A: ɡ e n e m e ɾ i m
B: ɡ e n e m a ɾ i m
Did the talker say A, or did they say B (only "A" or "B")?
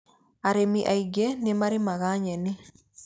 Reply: B